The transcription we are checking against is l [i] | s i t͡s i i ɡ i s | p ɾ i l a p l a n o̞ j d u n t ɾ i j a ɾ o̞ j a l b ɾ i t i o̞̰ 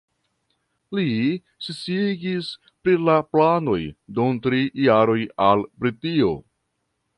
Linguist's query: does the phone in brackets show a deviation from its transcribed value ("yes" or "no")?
no